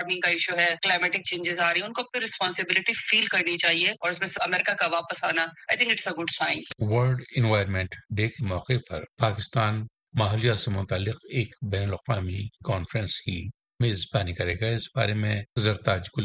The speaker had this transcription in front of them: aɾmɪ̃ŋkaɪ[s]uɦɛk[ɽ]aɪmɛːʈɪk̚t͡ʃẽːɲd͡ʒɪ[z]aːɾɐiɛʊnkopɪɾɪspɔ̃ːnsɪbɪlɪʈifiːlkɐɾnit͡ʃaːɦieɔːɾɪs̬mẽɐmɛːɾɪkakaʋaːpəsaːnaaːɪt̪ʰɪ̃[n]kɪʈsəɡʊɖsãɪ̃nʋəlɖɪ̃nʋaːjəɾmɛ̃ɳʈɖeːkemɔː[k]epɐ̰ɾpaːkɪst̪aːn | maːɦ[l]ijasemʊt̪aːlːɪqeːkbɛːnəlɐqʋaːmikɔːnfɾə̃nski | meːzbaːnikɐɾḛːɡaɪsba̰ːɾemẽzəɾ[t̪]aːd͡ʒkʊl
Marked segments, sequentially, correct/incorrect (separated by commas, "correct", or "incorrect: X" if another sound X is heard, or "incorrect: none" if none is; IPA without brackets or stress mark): incorrect: ʃ, incorrect: l, correct, incorrect: ŋ, incorrect: q, correct, correct